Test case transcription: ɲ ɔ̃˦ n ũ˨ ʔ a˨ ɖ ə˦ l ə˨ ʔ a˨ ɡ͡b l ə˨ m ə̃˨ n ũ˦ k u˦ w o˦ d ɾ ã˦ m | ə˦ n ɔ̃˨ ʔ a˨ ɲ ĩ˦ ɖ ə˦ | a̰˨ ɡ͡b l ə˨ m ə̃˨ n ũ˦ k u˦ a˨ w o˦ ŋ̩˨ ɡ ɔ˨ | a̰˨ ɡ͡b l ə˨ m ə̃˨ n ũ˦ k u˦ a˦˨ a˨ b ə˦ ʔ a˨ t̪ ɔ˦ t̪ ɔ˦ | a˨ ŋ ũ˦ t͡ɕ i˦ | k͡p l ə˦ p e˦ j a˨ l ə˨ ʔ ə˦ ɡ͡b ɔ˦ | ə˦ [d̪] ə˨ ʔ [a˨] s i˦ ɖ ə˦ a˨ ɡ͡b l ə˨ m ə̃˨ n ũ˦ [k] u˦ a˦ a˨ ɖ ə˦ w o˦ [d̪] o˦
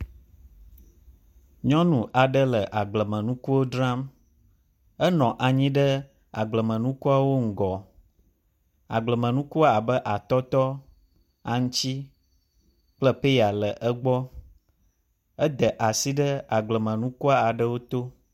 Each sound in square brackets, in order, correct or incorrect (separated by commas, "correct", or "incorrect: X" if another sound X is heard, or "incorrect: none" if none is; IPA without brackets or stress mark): correct, correct, correct, incorrect: t̪